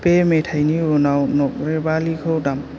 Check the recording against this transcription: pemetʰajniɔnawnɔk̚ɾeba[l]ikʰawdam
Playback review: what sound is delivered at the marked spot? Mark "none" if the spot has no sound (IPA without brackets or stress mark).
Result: l